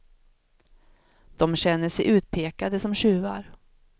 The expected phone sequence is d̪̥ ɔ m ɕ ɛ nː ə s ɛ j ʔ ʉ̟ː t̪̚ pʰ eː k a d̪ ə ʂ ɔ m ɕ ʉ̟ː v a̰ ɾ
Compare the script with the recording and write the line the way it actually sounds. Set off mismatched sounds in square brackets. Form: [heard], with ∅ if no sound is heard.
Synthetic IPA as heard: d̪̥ ɔ m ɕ ɛ nː ə [ʂ] ɛ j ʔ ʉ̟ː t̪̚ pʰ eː k a d̪ ə [s] ɔ m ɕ ʉ̟ː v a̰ ɾ